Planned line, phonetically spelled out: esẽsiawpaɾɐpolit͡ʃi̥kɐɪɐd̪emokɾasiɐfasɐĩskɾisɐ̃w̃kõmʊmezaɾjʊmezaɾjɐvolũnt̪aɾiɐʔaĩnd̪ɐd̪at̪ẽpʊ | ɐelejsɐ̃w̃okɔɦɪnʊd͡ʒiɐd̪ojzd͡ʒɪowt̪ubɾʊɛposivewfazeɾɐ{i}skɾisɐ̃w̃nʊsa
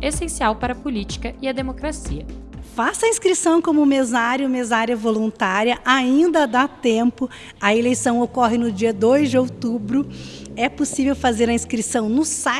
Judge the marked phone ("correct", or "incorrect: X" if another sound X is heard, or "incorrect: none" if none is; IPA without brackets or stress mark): incorrect: ĩ